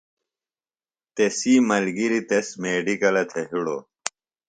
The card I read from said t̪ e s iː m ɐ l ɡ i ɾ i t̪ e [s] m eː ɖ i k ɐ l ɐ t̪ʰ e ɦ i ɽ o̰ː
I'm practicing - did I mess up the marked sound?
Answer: no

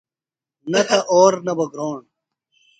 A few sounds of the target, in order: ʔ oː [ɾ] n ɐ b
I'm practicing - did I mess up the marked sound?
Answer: no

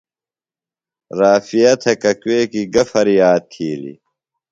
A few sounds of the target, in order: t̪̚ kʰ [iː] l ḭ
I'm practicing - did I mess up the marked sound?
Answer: no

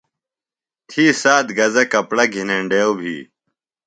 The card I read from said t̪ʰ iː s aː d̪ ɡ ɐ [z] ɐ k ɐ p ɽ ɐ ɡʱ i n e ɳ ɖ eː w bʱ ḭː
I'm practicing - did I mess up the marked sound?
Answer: no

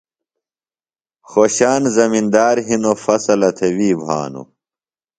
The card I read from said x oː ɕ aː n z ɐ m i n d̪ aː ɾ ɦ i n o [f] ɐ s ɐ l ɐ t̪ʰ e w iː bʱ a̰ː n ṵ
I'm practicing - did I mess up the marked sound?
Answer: no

